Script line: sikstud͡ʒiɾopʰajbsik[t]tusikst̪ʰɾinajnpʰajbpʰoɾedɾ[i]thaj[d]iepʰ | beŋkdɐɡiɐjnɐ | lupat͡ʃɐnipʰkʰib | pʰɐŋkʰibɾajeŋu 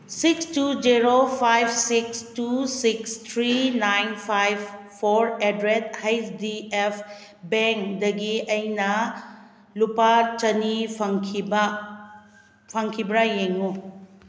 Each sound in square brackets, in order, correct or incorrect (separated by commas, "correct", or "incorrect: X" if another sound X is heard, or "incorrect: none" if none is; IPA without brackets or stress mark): incorrect: s, incorrect: e, correct